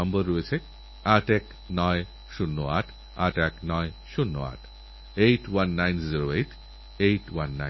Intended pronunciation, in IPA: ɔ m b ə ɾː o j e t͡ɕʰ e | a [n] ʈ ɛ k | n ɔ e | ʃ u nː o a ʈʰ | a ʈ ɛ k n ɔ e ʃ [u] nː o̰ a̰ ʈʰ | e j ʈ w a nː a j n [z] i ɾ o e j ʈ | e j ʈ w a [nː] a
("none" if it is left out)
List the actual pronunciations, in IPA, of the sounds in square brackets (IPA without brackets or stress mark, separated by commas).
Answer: none, u, z, nː